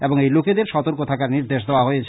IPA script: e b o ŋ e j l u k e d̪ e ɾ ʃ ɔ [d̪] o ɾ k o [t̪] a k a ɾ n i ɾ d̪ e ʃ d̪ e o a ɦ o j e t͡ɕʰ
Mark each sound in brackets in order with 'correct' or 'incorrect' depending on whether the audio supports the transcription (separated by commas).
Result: incorrect, incorrect